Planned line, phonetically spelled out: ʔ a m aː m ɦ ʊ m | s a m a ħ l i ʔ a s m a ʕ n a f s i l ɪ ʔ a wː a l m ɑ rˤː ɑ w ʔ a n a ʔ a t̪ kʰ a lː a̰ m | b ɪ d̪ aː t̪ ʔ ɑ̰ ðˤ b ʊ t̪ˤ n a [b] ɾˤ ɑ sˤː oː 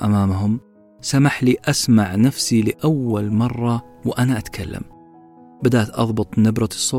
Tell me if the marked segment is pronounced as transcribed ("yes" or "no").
yes